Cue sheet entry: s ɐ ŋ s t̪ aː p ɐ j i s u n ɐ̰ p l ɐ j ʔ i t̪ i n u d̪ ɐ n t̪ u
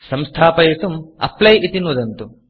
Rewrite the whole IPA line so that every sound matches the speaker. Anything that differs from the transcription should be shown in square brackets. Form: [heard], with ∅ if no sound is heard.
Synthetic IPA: s ɐ [m] s [t̪ʰ] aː p ɐ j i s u [m] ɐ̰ p l ɐ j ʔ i t̪ i n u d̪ ɐ n t̪ u